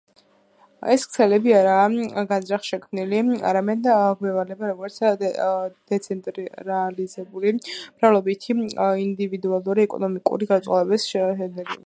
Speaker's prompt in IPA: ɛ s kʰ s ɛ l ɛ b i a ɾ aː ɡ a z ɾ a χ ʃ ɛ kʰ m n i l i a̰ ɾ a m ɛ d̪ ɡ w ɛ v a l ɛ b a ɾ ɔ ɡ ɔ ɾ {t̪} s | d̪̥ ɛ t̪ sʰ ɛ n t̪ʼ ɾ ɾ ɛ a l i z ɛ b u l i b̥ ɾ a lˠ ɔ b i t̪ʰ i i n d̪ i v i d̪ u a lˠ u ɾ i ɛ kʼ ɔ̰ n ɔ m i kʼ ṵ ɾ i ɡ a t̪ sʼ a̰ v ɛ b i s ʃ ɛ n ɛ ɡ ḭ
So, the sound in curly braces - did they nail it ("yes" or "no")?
yes